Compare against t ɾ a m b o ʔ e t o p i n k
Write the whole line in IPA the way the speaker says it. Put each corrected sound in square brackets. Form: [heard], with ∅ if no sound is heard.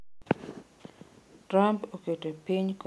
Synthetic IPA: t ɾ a m [p] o [k] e t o p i [ɲ] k